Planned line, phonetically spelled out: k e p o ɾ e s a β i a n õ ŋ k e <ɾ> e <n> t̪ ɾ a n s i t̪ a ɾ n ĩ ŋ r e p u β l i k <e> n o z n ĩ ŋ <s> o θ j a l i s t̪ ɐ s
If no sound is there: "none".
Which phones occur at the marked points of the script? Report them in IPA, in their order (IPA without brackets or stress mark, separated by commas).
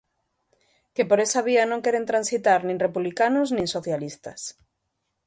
ɾ, n, a, s